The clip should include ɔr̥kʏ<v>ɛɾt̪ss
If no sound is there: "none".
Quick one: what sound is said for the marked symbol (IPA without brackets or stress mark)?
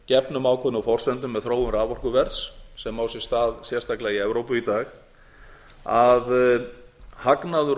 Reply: v